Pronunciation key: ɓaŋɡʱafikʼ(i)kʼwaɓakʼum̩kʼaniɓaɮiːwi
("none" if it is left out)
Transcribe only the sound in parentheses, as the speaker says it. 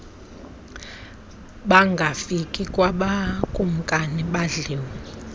i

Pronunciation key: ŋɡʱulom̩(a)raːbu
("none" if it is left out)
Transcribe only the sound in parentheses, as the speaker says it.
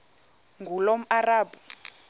a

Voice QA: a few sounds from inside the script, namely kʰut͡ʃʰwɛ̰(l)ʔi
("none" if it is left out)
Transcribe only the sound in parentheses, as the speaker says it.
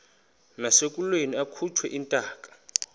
none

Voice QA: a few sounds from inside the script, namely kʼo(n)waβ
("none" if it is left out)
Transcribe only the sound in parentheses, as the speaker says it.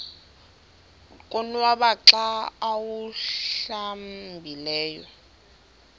n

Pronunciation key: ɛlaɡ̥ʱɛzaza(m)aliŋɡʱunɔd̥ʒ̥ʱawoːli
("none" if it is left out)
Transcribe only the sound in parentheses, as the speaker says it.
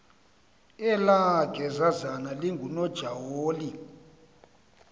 n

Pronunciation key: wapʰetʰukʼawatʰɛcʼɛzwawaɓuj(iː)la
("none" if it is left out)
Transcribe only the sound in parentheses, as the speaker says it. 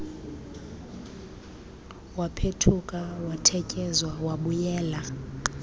ɛː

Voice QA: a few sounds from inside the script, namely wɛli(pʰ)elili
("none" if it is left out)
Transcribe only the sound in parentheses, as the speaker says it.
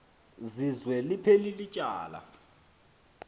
pʰ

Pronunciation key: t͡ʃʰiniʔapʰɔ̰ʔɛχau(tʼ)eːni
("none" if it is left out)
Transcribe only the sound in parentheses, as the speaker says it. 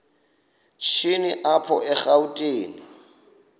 tʼ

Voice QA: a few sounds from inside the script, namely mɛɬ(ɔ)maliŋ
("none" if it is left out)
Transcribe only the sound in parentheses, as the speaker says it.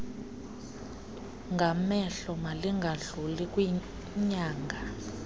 ɔ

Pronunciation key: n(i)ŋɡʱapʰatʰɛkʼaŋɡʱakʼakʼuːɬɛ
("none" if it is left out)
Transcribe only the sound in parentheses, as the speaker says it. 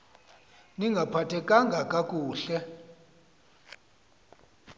i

